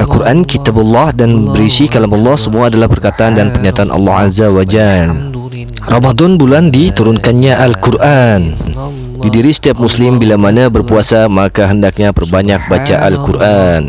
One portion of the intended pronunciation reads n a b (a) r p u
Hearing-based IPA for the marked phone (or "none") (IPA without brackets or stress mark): ə